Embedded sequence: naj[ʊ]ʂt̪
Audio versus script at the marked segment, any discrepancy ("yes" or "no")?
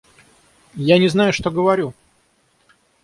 no